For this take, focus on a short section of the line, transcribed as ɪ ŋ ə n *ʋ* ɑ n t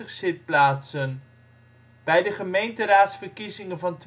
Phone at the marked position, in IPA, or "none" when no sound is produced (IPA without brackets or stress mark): v